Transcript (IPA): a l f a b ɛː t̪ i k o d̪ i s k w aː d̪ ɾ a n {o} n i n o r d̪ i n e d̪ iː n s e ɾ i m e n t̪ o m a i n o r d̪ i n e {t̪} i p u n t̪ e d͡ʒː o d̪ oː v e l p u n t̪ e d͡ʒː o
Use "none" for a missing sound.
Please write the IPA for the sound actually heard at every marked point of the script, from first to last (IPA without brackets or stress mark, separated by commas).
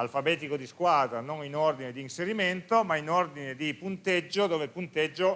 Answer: o, d̪